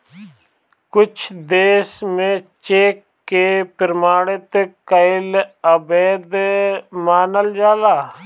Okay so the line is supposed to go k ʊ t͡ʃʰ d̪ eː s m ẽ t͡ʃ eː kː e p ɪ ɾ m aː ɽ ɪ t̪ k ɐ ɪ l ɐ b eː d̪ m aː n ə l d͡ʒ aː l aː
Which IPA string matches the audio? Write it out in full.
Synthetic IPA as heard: k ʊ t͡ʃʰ d̪ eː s m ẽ t͡ʃ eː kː e p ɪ ɾ m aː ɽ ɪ t̪ k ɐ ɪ l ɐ b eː d̪ m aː n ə l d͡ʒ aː l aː